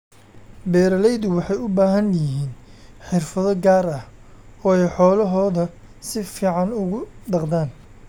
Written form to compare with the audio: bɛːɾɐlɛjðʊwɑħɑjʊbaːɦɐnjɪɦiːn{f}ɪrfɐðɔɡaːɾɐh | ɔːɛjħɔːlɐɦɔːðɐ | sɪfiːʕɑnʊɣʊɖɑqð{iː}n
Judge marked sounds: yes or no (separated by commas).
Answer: no, no